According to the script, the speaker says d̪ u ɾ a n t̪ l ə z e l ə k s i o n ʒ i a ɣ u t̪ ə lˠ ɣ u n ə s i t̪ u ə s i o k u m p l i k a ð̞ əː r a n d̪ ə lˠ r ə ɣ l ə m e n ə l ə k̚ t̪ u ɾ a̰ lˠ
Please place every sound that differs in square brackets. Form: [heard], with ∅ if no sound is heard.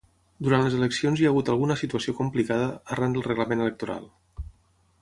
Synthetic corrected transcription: d̪ u ɾ a n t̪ l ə z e l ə k s i o n [z] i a ɣ u t̪ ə lˠ ɣ u n ə s i t̪ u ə s i o k u m p l i k a ð̞ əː r a n d̪ ə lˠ r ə ɣ l ə m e n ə l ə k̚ t̪ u ɾ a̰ lˠ